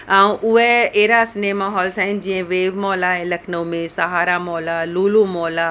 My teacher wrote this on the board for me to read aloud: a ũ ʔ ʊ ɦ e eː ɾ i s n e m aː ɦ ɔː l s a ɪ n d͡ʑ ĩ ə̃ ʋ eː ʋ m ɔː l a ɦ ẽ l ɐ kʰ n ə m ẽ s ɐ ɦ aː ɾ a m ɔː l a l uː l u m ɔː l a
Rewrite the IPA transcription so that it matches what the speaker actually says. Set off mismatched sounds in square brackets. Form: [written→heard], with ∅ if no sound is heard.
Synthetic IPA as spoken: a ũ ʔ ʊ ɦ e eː ɾ [i→a] s n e m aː ɦ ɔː l s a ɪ n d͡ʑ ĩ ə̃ ʋ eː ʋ m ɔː l a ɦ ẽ l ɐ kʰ n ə m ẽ s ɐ ɦ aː ɾ a m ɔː l a l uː l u m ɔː l a